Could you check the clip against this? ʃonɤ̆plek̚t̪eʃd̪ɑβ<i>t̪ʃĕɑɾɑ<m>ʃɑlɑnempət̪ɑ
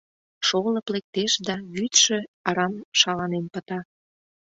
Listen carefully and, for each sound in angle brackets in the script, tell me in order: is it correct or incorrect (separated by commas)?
incorrect, correct